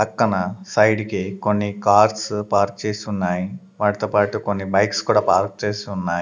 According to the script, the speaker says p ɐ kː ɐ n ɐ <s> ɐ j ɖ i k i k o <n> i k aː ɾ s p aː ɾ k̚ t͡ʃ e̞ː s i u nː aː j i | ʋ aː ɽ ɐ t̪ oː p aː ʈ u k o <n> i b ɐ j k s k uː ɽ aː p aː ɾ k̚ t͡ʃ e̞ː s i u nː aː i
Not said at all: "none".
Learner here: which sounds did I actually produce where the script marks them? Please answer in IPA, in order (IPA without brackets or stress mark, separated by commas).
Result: s, nː, nː